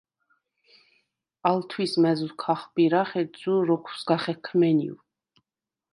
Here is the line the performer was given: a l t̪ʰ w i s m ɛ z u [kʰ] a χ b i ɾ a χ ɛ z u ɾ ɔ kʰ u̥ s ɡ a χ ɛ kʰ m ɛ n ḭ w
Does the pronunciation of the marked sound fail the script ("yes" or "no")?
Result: no